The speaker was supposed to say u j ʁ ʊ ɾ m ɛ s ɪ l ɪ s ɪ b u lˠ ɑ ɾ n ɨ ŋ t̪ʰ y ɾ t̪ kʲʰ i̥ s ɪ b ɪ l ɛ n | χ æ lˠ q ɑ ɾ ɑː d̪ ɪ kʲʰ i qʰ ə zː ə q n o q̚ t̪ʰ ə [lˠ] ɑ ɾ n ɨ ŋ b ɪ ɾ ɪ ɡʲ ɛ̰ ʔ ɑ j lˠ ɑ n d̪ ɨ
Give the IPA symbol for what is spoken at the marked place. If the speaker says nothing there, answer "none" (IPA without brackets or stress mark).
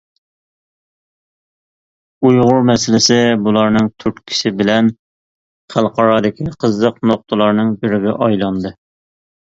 lˠ